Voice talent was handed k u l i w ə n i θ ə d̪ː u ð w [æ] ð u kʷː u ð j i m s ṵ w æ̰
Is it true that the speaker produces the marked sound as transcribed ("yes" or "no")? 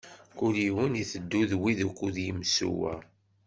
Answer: no